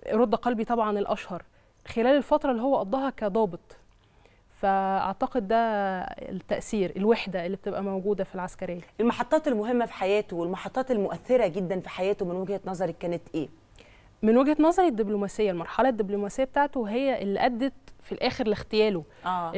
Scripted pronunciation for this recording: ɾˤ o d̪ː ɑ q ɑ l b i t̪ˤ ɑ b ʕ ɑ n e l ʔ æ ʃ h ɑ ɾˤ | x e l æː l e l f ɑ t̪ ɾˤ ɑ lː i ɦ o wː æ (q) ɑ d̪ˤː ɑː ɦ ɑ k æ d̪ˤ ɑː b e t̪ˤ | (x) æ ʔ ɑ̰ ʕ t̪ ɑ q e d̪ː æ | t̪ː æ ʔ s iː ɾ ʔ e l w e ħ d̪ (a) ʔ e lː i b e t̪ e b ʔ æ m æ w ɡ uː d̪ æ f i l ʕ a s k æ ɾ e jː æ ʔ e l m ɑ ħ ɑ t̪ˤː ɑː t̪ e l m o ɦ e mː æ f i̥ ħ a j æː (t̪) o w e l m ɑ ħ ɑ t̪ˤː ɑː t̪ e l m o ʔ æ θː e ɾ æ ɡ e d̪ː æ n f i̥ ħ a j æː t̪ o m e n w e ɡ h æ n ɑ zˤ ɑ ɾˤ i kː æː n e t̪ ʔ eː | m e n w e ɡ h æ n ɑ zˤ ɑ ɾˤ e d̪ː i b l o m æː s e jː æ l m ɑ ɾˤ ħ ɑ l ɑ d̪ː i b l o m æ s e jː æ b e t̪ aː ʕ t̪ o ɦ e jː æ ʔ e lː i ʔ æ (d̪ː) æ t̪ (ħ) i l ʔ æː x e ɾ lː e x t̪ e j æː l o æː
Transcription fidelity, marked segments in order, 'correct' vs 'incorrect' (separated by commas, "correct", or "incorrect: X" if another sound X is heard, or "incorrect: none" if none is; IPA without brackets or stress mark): incorrect: ʔ, incorrect: f, incorrect: æ, correct, correct, incorrect: f